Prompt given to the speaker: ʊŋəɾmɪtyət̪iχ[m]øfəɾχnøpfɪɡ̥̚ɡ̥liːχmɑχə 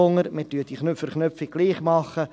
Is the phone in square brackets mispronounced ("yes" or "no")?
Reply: yes